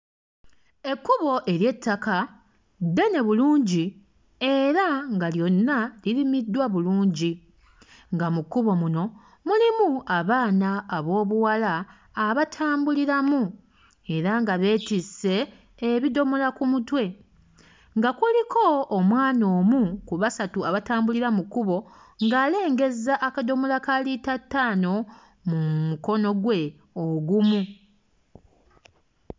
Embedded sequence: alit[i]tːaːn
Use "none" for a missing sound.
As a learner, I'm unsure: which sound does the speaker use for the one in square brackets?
a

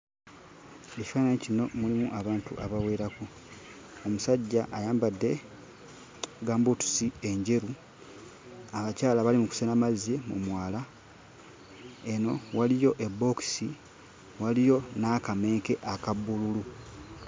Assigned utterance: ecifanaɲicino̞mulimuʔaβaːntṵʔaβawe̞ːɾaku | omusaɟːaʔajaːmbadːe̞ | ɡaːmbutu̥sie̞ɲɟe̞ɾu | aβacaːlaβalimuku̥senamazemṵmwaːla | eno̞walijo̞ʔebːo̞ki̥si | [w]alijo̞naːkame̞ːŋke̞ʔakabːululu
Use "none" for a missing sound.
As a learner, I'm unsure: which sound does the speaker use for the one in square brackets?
w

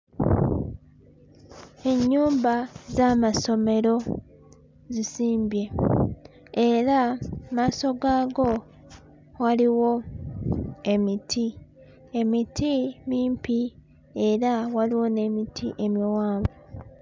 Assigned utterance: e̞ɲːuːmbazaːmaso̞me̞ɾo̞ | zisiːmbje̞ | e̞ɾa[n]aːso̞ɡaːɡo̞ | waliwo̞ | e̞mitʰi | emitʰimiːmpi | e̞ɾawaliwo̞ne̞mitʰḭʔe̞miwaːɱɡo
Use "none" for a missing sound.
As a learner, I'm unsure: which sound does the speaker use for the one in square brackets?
m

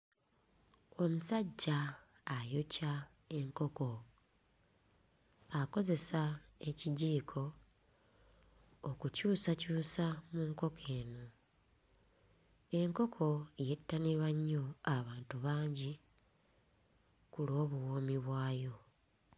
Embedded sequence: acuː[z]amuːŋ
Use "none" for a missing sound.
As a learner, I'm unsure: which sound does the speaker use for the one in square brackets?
s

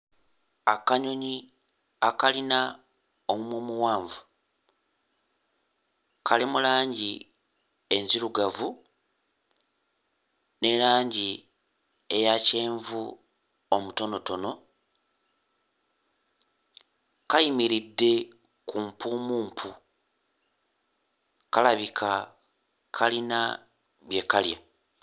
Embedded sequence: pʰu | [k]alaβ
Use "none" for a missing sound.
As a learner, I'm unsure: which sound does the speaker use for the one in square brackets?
k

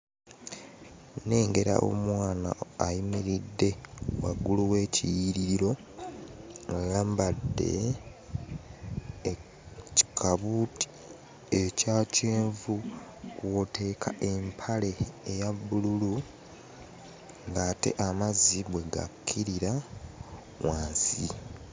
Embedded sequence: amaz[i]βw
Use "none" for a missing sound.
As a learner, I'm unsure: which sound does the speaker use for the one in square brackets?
i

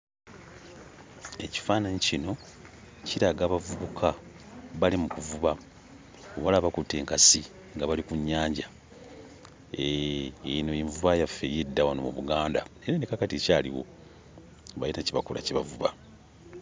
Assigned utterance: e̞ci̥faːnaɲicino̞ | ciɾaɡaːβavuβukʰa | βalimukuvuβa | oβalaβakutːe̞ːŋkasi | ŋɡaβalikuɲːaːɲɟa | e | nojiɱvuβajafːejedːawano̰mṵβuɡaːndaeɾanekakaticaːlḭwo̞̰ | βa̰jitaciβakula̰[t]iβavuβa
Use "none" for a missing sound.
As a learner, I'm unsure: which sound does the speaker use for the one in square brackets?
c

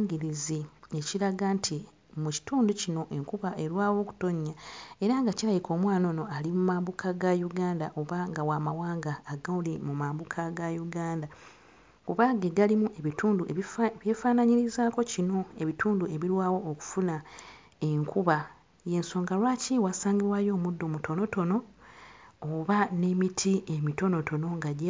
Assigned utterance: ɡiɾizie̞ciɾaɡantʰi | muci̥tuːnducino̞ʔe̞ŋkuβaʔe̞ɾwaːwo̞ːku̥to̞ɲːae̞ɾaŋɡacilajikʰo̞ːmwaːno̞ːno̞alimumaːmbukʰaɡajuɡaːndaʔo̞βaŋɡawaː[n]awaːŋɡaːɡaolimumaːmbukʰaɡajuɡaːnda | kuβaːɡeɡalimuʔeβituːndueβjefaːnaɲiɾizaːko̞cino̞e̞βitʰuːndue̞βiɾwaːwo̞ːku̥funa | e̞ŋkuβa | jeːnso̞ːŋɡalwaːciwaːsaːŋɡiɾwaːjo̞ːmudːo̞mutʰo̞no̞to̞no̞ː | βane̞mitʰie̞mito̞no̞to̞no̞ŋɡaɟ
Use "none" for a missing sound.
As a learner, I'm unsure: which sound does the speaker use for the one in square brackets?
m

